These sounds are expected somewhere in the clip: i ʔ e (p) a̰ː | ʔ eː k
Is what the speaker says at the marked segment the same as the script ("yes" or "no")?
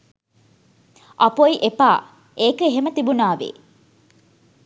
yes